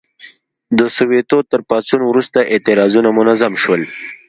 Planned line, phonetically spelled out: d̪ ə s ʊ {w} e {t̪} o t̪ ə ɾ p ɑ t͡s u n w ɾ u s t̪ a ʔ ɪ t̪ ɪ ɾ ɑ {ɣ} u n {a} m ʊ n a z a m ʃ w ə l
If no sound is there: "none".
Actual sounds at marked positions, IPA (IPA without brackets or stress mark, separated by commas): w, t̪, z, a